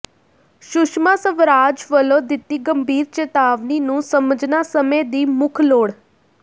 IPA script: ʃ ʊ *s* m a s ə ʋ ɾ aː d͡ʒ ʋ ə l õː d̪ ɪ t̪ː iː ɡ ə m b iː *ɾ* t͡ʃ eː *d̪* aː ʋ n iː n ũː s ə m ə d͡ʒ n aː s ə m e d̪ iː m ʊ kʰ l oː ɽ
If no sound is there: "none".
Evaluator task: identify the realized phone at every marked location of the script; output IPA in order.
ʃ, ɾ, t̪

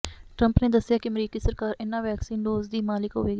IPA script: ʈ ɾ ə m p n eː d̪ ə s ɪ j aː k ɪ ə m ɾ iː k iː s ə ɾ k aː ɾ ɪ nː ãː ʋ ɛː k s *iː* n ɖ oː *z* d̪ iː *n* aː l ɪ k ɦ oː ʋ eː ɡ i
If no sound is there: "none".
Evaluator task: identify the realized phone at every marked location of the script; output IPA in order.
iː, z, m

